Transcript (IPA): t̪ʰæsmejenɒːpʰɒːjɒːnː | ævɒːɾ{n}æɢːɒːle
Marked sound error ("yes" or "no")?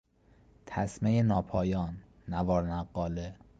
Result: no